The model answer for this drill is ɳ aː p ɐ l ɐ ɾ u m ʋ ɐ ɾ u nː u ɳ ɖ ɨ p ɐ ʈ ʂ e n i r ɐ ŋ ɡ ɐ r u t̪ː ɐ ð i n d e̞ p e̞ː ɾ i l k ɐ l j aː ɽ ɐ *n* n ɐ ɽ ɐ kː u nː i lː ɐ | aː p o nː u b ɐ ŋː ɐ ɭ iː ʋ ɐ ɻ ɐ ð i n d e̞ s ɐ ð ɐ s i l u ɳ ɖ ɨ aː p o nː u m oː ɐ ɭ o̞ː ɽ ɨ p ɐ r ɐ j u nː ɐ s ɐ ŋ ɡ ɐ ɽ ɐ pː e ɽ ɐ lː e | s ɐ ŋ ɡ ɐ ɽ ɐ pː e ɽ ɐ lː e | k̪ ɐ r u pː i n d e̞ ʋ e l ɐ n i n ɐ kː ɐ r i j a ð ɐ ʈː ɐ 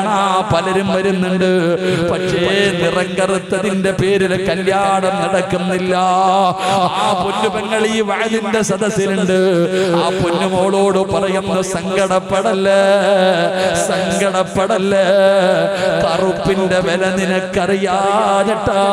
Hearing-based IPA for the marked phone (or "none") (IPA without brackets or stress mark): m